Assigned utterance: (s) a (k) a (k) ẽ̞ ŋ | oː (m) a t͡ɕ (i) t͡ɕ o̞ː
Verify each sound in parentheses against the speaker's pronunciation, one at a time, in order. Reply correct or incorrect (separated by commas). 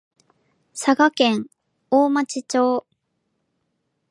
correct, incorrect, correct, correct, correct